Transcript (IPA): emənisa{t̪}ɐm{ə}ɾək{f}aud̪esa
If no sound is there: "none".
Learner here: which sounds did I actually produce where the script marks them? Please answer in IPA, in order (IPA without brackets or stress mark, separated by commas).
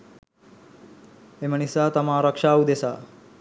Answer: t̪, a, ʂ